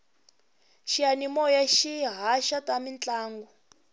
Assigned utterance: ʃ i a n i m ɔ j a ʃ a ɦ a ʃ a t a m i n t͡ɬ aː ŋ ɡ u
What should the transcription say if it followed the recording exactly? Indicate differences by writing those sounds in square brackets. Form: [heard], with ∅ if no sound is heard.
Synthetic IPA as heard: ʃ i a n i m ɔ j a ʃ [i] ɦ a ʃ a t a m i n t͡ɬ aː ŋ ɡ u